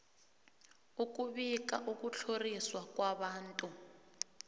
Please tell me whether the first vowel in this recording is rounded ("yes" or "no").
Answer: yes